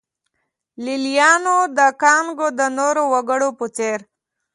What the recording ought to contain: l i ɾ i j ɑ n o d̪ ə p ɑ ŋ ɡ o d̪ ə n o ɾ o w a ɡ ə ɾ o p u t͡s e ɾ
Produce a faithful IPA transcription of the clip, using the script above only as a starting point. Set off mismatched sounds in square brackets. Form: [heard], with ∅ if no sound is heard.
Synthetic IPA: l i [l] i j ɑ n o d̪ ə [k] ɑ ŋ ɡ o d̪ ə n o ɾ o w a ɡ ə [ɽ] o p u t͡s e ɾ

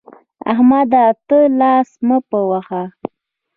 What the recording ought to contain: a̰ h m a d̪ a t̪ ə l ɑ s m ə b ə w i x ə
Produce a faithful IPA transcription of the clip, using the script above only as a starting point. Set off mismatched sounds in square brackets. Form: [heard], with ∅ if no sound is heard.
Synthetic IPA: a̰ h m a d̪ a t̪ ə l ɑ s m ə [p] ə w [a] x [a]

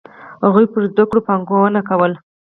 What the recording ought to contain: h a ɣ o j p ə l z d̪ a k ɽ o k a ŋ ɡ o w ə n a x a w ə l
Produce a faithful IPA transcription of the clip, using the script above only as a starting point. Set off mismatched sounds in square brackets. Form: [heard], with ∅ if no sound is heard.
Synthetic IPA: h a ɣ [u] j p ə [ɾ] z d̪ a k ɽ o [p] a ŋ ɡ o w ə n a [k] a w ə l

